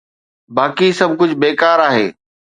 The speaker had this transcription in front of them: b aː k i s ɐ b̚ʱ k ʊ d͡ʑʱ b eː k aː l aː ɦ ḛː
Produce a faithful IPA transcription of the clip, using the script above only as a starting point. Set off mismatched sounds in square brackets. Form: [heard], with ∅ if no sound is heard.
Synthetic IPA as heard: b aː k i s ɐ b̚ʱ k ʊ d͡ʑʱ b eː k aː [ɾ] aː ɦ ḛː